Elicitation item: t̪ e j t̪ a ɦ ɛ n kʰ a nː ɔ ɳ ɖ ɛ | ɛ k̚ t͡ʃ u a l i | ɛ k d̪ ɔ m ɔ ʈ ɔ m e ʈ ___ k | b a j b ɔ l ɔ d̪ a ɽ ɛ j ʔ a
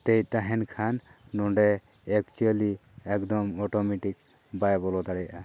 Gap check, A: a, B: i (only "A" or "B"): B